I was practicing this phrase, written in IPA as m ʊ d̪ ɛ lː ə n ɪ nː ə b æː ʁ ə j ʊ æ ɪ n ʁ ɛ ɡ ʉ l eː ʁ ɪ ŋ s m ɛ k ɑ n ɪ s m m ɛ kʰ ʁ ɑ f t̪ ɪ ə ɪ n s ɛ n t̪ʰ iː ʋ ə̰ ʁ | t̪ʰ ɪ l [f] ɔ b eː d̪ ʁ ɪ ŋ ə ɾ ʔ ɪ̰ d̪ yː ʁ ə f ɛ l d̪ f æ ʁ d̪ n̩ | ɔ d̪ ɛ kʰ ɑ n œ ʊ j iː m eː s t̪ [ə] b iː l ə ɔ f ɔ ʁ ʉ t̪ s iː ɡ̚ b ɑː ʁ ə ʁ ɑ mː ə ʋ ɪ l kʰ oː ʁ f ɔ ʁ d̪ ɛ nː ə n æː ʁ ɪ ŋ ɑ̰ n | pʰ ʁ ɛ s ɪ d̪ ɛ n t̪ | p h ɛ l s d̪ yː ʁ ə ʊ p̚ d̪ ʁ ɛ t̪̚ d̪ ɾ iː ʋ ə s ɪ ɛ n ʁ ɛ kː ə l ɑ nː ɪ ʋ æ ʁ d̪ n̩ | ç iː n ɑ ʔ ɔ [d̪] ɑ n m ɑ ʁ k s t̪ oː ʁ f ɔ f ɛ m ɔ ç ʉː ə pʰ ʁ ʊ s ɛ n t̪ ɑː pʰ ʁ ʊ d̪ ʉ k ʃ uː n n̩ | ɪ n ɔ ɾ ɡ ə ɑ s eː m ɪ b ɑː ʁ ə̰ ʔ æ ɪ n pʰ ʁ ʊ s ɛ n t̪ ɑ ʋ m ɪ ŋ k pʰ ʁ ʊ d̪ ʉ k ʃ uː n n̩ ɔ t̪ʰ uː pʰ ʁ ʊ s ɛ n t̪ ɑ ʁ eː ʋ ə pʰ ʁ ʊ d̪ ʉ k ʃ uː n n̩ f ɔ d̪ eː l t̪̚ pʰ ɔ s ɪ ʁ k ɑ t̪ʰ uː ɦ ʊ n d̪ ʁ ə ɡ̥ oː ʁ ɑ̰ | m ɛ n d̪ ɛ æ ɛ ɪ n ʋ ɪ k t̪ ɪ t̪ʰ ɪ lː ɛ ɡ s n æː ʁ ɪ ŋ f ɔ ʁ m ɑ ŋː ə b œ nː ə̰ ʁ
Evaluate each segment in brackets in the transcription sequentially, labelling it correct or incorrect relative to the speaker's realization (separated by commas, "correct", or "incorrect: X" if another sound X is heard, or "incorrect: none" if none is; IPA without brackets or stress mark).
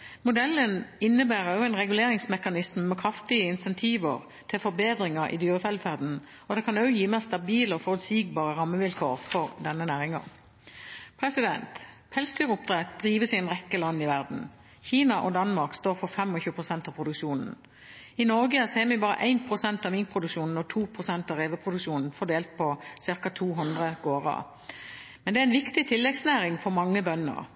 correct, incorrect: ɑ, correct